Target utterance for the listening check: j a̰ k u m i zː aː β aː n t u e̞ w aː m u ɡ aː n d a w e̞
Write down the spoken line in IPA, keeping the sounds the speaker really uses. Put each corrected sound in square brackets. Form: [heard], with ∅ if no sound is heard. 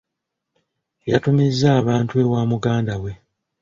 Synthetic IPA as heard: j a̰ [t] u m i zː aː β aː n t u e̞ w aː m u ɡ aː n d a w e̞